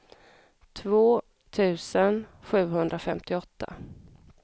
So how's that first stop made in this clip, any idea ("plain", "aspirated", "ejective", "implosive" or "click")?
aspirated